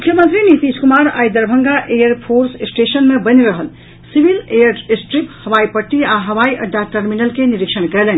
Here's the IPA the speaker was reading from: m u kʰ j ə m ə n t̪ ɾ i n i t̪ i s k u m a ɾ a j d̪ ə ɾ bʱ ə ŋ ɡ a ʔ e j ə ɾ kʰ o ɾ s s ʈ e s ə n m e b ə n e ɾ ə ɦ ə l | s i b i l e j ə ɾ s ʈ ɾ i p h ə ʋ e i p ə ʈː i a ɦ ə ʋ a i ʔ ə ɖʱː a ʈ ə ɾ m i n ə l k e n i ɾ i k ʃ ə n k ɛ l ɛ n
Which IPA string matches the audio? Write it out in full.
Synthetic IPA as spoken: m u kʰ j ə m ə n t̪ ɾ i n i t̪ i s k u m a ɾ a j d̪ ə ɾ bʱ ə ŋ ɡ a ʔ e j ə ɾ pʰ o ɾ s s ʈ e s ə n m e b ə n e ɾ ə ɦ ə l | s i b i l e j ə ɾ s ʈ ɾ i p h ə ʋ a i p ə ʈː i a ɦ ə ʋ a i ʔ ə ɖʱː a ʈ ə ɾ m i n ə l k e n i ɾ i k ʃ ə n k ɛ l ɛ n

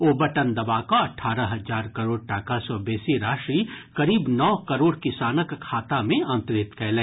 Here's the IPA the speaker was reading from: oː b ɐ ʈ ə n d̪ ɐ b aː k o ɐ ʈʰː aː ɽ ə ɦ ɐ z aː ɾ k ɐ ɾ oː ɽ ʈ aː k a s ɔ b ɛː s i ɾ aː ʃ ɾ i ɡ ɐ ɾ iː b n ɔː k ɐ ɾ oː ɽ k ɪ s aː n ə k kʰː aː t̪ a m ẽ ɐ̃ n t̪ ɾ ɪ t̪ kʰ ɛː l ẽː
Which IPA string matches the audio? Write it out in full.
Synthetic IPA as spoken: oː b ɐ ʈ ə n d̪ ɐ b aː k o ɐ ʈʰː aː ɾ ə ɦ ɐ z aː ɾ k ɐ ɾ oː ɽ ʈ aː k a s ɔ b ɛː s i ɾ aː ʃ ɾ i k ɐ ɾ iː b n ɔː k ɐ ɾ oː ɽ k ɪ s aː n ə k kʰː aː t̪ a m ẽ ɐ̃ n t̪ ɾ ɪ t̪ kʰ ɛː l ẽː

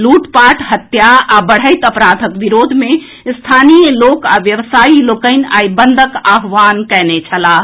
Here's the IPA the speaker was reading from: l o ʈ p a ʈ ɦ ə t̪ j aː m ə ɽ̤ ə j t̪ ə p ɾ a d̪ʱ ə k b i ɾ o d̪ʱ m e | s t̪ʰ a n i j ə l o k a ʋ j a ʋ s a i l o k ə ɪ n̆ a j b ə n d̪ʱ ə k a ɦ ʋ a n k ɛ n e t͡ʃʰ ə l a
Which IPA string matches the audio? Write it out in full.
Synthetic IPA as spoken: l u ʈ p a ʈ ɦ ə t̪ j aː b ə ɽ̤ ə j t̪ ə p ɾ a d̪ʱ ə k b i ɾ o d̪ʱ m e | s t̪ʰ a n i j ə l o k a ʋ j ə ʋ s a i l o k ə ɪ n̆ a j b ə n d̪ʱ ə k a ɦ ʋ a n k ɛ n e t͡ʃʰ ə l a

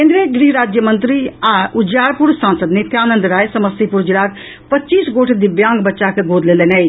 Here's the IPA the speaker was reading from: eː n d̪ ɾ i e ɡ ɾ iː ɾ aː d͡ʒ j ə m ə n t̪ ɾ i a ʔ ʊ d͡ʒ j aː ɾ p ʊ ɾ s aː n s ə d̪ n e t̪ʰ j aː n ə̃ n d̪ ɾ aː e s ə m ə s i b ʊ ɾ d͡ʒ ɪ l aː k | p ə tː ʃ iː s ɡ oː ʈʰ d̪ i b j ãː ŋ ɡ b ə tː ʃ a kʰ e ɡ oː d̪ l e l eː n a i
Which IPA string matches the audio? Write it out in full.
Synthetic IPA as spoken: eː n d̪ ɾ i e ɡ ɾ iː ɾ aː d͡ʒ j ə m ə n t̪ ɾ i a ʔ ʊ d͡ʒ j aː ɾ p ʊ ɾ s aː n s ə d̪ n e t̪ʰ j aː n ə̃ n d̪ ɾ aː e s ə m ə s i p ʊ ɾ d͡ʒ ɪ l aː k | p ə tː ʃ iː s ɡ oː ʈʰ d̪ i b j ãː ŋ ɡ b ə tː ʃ a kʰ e ɡ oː d̪ l e l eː n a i

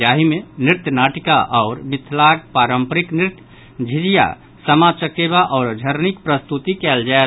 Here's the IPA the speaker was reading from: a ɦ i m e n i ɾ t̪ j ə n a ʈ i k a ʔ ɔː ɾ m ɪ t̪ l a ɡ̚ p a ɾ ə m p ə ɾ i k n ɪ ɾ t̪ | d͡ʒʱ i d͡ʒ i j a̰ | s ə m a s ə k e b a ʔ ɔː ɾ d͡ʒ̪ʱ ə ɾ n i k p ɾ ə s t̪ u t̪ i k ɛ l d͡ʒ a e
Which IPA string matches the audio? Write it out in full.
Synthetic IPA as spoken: a ɦ i m e n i ɾ t̪ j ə n a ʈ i k a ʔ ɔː ɾ m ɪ t̪ʰ l a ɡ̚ p a ɾ ə m p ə ɾ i k n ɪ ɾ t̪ | d͡ʒʱ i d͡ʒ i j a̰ | s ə m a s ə k e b a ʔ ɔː ɾ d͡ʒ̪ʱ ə ɾ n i k p ɾ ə s t̪ u t̪ i k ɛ l d͡ʒ a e

